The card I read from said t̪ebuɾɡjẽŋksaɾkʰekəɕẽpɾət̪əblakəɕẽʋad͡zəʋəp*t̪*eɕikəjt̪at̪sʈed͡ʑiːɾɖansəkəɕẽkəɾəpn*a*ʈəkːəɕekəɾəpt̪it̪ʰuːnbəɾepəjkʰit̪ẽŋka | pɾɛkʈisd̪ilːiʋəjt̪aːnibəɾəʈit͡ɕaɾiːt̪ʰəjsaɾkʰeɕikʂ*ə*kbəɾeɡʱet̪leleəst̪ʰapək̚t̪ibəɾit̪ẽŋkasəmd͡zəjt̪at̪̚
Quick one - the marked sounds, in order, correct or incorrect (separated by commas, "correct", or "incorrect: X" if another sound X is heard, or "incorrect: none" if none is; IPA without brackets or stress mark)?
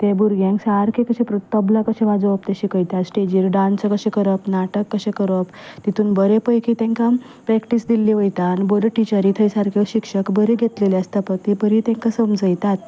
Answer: correct, correct, correct